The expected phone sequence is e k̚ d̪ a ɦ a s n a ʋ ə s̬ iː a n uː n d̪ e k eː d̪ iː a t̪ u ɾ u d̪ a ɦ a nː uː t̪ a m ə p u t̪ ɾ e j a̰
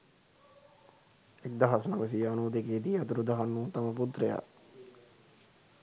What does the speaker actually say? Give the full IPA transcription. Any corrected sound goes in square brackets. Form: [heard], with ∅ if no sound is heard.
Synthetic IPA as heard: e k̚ d̪ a ɦ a s n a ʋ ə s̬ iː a n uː [∅] d̪ e k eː d̪ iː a t̪ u ɾ u d̪ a ɦ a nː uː t̪ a m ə p u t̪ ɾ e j a̰

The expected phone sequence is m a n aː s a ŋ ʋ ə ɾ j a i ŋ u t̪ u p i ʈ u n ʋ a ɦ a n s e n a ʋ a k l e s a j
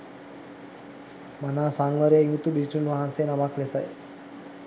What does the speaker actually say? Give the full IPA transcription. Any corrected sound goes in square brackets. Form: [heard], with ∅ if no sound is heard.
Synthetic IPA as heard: m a n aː s a ŋ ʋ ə ɾ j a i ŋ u t̪ u [b] i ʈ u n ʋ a ɦ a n s e n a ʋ a k l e s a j

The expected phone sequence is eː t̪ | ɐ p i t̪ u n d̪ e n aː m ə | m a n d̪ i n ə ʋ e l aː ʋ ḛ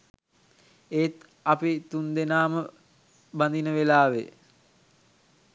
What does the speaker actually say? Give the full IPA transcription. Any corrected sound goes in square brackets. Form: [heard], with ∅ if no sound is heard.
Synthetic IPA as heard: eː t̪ | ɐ p i t̪ u n d̪ e n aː m ə | [b] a n d̪ i n ə ʋ e l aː ʋ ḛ

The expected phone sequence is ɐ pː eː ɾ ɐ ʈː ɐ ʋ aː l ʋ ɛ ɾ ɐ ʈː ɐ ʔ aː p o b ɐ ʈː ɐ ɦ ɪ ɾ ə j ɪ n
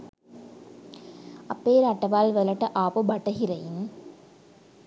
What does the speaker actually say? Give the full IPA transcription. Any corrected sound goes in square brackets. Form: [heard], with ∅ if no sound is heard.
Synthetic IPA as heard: ɐ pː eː ɾ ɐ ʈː ɐ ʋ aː l ʋ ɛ [l] ɐ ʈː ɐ ʔ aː p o b ɐ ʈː ɐ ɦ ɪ ɾ [ɐ] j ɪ n

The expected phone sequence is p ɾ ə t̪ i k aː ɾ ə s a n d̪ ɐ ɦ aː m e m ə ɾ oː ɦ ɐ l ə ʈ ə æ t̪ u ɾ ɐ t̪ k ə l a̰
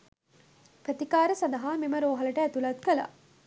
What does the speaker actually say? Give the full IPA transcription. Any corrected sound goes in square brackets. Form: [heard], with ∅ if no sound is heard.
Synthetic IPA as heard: p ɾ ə t̪ i k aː ɾ ə s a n d̪ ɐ ɦ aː m e m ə ɾ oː ɦ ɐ l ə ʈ ə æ t̪ u [l] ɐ t̪ k ə l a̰

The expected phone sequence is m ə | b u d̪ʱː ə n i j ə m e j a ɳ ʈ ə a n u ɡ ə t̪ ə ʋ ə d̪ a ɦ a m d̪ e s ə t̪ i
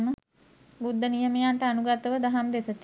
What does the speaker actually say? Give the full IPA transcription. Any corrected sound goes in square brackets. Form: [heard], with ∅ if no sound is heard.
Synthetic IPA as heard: m ə | b u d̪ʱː ə n i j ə m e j a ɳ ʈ ə a n u ɡ [a] t̪ ə ʋ ə d̪ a ɦ a m d̪ e s ə t̪ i

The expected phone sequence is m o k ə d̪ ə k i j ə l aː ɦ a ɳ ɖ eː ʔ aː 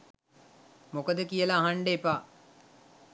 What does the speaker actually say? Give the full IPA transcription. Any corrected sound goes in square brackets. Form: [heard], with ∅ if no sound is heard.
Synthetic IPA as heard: m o k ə d̪ ə k i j ə l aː ɦ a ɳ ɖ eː [p] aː

